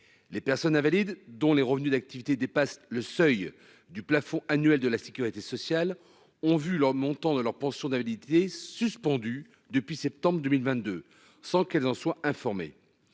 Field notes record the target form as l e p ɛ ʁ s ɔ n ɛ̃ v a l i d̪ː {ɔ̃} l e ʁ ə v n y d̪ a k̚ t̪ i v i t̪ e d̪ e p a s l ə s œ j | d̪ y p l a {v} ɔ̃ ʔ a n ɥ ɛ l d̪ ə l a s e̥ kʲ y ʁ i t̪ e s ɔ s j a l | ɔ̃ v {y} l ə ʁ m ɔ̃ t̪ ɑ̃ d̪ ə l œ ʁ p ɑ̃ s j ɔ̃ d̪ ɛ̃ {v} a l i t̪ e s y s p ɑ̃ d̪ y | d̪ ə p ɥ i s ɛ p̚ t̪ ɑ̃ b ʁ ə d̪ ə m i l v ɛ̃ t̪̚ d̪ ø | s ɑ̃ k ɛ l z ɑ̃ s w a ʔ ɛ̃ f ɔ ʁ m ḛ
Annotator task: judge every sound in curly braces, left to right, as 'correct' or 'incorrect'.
correct, incorrect: f, correct, correct

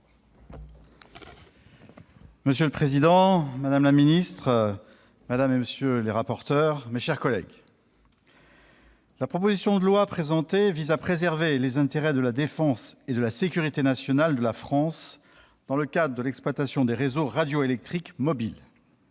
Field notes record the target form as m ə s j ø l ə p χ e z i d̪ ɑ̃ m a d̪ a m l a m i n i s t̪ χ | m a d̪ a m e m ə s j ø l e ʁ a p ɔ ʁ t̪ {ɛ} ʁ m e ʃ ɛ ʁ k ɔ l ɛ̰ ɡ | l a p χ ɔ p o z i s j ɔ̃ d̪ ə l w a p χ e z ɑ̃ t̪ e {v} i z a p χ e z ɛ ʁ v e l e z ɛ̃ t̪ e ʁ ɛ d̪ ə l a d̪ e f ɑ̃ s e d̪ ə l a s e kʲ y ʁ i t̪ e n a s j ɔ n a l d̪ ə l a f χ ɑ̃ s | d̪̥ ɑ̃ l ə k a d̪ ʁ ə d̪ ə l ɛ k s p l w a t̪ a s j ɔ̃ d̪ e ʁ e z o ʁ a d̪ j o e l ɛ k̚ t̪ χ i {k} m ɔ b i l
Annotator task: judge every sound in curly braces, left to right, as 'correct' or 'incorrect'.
incorrect: œ, correct, correct

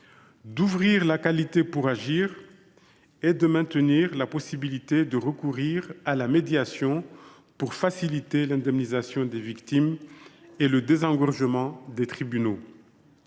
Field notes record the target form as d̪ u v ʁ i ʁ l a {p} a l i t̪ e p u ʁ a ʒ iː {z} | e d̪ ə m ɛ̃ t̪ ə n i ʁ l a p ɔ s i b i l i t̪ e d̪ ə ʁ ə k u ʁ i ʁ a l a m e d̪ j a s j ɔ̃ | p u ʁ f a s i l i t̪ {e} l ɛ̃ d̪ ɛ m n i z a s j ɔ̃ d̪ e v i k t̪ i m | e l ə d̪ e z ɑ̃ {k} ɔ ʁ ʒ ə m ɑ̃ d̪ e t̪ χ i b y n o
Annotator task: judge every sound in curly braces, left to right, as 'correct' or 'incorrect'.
incorrect: k, incorrect: ʁ, correct, incorrect: ɡ

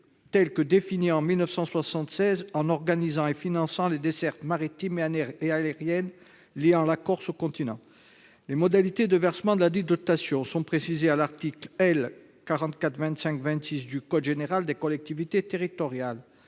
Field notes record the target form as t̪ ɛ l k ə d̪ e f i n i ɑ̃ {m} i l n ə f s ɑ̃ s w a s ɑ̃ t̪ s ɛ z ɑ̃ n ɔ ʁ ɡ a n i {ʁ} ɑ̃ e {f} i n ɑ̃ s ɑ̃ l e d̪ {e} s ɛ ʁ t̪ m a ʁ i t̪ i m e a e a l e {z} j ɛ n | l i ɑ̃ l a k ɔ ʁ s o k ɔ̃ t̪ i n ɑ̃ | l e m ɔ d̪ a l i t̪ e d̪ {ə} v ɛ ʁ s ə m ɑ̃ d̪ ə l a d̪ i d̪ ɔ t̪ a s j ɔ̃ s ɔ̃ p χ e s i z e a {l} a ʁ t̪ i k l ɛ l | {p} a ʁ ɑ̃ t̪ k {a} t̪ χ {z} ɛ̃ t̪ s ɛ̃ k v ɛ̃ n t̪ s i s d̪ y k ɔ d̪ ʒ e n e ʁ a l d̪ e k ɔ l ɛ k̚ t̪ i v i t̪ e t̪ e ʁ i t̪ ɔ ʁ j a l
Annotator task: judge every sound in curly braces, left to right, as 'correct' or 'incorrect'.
correct, incorrect: z, correct, correct, incorrect: ʁ, correct, correct, incorrect: k, correct, incorrect: v

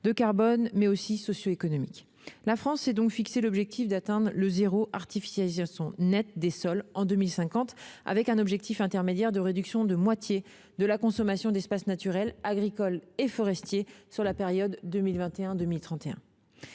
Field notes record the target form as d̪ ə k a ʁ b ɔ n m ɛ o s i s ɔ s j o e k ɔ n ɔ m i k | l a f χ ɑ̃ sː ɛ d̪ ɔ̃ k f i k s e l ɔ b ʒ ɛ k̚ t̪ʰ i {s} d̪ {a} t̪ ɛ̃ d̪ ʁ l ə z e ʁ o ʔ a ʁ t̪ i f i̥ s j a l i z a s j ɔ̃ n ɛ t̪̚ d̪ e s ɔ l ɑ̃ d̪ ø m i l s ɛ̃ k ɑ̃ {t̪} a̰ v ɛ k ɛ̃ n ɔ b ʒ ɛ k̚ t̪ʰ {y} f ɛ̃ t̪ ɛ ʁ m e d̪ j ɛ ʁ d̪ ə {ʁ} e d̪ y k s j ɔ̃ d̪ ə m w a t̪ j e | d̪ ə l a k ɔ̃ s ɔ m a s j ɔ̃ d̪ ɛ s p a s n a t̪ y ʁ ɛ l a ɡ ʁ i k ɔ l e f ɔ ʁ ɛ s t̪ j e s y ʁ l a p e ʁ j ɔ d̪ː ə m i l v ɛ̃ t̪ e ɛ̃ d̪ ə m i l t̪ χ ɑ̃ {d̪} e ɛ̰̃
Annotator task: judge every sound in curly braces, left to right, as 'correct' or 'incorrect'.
incorrect: f, correct, correct, incorrect: i, correct, incorrect: t̪

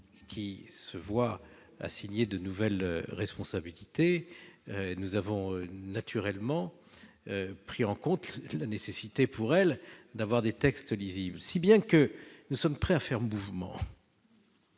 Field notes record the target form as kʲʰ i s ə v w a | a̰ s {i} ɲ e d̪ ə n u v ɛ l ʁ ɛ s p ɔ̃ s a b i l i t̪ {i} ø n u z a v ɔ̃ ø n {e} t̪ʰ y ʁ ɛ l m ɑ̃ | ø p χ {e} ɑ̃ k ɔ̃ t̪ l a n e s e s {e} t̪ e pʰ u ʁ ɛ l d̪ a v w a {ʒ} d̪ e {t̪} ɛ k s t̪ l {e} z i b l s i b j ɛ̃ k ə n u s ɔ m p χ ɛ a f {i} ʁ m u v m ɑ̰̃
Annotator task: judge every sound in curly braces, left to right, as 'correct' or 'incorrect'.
correct, incorrect: e, incorrect: a, incorrect: i, incorrect: i, incorrect: ʁ, correct, incorrect: i, incorrect: ɛ

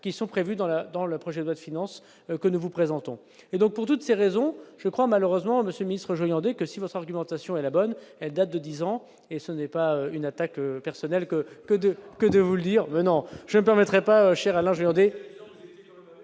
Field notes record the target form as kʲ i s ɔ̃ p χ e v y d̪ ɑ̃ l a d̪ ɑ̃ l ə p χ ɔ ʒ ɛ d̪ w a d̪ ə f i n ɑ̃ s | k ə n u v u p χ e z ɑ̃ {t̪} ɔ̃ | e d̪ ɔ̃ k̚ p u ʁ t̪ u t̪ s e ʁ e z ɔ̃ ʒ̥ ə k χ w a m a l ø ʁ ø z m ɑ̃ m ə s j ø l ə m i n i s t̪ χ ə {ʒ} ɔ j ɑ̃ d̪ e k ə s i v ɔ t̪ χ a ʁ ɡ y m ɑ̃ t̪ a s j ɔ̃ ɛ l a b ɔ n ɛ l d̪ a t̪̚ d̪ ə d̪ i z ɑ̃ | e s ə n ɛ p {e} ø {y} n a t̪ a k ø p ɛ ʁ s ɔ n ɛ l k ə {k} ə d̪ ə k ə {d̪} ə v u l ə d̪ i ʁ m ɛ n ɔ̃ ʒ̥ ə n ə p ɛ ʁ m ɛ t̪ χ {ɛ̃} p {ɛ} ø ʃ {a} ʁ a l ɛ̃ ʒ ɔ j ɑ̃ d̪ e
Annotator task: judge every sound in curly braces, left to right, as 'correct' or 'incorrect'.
correct, correct, incorrect: a, correct, correct, correct, incorrect: ɛ, incorrect: a, incorrect: ɛ

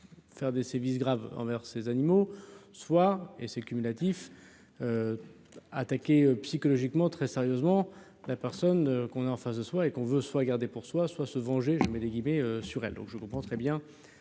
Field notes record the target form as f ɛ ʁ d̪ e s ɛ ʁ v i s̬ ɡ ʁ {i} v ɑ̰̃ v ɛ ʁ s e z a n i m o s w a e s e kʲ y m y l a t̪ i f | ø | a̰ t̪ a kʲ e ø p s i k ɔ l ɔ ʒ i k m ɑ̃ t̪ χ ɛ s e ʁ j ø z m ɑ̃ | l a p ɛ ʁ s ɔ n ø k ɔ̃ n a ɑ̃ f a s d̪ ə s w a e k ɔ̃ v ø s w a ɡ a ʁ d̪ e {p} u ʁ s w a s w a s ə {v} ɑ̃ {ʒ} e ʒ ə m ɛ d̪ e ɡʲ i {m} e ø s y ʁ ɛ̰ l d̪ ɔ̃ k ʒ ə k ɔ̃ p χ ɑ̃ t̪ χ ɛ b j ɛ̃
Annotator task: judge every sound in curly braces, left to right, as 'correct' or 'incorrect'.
incorrect: a, correct, correct, correct, correct

